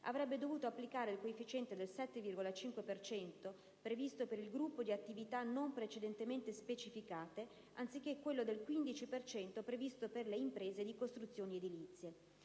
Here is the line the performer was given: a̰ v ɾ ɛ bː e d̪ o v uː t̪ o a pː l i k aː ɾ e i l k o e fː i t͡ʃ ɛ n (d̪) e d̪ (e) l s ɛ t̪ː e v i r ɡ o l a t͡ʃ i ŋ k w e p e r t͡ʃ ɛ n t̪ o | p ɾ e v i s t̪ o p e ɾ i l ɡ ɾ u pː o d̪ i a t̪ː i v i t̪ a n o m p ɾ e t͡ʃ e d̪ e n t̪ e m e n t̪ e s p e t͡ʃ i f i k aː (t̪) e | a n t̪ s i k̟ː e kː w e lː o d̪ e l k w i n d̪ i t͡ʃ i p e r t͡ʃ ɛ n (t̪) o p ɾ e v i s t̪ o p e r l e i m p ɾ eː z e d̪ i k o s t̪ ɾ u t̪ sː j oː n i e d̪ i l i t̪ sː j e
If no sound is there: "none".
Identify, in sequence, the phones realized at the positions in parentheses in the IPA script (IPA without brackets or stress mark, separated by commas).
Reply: t̪, e, t̪, t̪